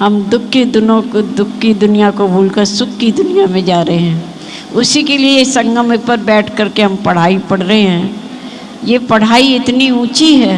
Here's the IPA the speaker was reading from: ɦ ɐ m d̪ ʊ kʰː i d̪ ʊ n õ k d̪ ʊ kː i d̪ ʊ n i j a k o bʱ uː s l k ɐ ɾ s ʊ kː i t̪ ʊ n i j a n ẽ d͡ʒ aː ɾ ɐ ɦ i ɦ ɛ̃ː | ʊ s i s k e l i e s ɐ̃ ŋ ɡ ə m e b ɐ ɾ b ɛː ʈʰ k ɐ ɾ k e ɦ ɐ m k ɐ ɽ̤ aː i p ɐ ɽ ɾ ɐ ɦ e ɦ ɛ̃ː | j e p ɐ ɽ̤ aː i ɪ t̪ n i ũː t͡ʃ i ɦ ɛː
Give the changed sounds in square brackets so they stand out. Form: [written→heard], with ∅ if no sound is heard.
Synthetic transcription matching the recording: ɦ ɐ m d̪ ʊ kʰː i d̪ ʊ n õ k d̪ ʊ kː i d̪ ʊ n i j a k o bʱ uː [s→∅] l k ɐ ɾ s ʊ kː i [t̪→d̪] ʊ n i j a [n→m] ẽ d͡ʒ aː ɾ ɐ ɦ [i→e] ɦ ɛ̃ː | ʊ s i [s→∅] k e l i e s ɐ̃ ŋ ɡ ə m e [b→p] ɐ ɾ b ɛː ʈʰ k ɐ ɾ k e ɦ ɐ m [k→p] ɐ ɽ̤ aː i p ɐ ɽ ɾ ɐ ɦ e ɦ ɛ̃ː | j e p ɐ ɽ̤ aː i ɪ t̪ n i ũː t͡ʃ i ɦ ɛː